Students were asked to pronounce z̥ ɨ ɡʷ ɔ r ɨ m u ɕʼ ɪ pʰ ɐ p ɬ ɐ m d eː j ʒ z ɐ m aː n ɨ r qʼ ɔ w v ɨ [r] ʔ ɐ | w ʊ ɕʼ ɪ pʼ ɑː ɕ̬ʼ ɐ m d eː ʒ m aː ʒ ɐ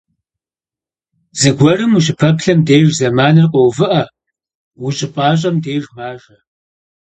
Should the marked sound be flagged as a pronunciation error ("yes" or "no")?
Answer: yes